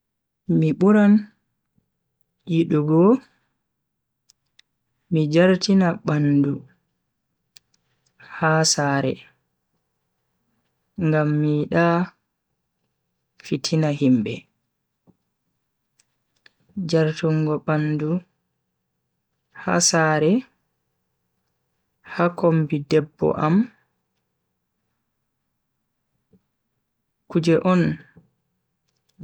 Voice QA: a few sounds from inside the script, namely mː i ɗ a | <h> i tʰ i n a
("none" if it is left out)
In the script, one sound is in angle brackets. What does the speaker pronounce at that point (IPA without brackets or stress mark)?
f